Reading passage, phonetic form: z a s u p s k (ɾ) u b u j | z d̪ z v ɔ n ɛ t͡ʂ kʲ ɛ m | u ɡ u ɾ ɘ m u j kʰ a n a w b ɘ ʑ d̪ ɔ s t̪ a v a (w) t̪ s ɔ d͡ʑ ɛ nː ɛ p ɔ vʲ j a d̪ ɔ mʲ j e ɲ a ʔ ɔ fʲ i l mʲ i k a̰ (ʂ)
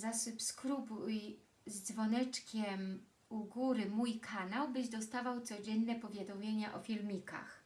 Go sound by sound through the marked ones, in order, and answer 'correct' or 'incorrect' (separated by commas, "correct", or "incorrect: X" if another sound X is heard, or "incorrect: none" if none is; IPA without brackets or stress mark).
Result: correct, correct, incorrect: x